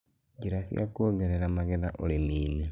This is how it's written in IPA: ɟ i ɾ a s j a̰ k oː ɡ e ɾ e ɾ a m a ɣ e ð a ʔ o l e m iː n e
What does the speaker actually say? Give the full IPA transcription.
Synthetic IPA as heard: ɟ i ɾ a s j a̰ k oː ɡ e ɾ e ɾ a m a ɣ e ð a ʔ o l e m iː n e